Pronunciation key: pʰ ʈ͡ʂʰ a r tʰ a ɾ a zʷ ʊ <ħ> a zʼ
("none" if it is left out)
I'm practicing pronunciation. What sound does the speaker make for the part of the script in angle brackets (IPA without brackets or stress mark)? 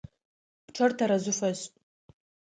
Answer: f